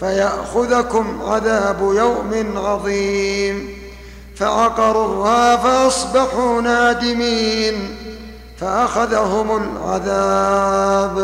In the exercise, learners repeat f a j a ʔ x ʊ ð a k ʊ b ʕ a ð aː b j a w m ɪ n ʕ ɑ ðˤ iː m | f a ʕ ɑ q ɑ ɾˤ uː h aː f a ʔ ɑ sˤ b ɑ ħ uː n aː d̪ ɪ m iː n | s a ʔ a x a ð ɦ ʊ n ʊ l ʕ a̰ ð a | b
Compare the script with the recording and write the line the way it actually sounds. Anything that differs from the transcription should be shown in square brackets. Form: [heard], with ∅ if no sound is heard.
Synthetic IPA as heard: f a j a ʔ x ʊ ð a k ʊ [m] ʕ a ð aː b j a w m ɪ n ʕ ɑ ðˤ iː m | f a ʕ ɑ q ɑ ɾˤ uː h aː f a ʔ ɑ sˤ b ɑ ħ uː n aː d̪ ɪ m iː n | [f] a ʔ a x a ð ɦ ʊ [m] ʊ l ʕ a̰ ð a | b